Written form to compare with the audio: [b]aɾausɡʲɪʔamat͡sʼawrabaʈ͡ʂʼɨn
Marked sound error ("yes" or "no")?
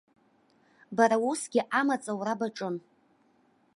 no